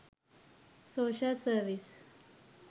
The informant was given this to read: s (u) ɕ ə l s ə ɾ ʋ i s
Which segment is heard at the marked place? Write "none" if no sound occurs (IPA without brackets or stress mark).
o